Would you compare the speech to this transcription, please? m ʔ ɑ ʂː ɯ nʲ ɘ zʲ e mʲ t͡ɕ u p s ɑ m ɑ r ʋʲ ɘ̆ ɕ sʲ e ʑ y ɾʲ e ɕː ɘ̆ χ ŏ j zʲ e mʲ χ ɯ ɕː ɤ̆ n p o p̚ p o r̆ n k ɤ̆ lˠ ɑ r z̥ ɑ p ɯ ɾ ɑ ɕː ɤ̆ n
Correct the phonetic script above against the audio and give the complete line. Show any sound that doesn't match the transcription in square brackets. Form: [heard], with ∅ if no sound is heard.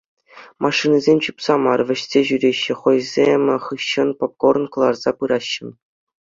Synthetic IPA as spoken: m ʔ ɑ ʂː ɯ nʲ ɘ zʲ e mʲ t͡ɕ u p s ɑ m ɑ r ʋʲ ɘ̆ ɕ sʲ e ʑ y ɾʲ e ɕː ɘ̆ χ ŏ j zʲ e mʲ χ ɯ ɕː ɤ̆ n p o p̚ [k] o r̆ n k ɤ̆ lˠ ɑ r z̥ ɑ p ɯ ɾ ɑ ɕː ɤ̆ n